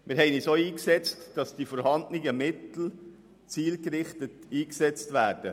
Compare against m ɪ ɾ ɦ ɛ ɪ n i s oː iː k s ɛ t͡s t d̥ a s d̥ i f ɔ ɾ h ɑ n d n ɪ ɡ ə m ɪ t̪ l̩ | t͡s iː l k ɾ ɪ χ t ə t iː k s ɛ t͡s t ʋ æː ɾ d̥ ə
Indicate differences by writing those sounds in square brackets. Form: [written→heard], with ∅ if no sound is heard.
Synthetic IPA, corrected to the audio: m ɪ ɾ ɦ ɛ ɪ n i s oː iː k s ɛ t͡s t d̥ [a→ɑ] s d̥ i f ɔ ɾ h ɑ n d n ɪ ɡ ə m ɪ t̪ l̩ | t͡s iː l k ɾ ɪ χ t ə t iː k s ɛ t͡s t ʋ æː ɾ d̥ ə